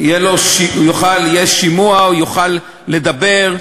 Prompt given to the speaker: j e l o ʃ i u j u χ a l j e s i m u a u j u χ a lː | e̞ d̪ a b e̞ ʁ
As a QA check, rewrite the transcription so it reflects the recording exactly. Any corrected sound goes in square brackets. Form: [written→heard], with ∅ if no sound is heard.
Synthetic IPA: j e l o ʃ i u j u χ a l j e [s→ʃ] i m u a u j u χ a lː | e̞ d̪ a b e̞ ʁ